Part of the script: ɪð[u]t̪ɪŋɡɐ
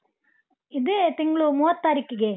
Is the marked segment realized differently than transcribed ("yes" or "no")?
yes